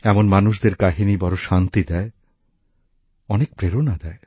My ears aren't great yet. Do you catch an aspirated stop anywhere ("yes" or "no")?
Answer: no